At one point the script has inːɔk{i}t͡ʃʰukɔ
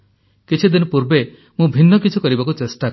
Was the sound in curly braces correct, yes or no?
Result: yes